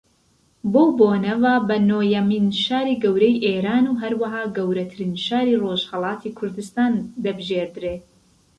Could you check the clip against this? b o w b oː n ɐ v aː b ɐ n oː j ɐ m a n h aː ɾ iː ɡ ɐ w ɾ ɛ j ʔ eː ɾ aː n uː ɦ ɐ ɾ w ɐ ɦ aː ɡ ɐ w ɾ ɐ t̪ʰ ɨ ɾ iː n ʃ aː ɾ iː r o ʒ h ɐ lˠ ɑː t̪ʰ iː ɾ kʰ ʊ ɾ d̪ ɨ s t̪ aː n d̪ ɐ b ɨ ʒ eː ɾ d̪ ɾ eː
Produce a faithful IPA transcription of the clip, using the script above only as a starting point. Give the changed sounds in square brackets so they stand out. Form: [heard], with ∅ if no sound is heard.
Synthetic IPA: b o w b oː n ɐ v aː b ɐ n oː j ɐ m [i] n [ʃ] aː ɾ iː ɡ ɐ w ɾ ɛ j ʔ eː ɾ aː n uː ɦ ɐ ɾ w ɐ ɦ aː ɡ ɐ w ɾ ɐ t̪ʰ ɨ ɾ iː n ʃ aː ɾ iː r o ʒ h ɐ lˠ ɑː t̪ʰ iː [∅] kʰ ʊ ɾ d̪ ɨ s t̪ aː n d̪ ɐ b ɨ ʒ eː ɾ d̪ ɾ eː